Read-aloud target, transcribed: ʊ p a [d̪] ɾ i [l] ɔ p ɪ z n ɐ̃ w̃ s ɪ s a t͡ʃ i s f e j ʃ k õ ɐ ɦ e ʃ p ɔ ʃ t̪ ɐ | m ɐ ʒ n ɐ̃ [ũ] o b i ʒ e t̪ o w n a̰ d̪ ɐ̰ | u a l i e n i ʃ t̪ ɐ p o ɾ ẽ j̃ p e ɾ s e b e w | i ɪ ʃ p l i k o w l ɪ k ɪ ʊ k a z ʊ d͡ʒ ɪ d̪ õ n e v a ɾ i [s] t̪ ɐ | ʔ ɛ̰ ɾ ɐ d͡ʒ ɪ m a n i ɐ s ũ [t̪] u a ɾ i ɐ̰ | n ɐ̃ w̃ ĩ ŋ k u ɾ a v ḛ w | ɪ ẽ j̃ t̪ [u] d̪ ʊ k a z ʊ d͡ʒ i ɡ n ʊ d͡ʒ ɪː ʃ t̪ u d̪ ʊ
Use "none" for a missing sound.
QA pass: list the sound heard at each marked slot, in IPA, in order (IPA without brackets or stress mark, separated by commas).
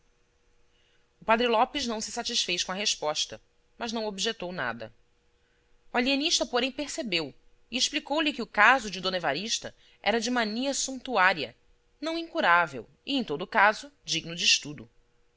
d̪, l, w̃, ʃ, t̪, o